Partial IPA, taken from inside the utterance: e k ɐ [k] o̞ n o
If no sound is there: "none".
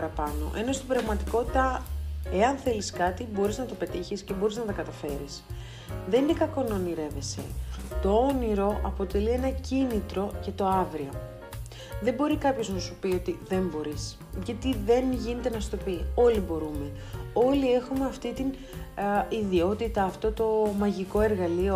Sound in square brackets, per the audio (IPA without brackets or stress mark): k